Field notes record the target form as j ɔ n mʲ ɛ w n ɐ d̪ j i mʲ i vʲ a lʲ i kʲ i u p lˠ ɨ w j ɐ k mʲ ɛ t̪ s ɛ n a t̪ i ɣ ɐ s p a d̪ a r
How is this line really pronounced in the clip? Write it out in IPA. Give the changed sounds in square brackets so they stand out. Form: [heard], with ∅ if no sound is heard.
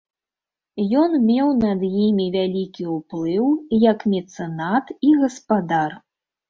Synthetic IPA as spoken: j ɔ n mʲ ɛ w n ɐ d̪ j i mʲ i vʲ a lʲ i kʲ i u p lˠ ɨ w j ɐ k mʲ ɛ t̪ s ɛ n a t̪ i ɣ ɐ s p a d̪ a r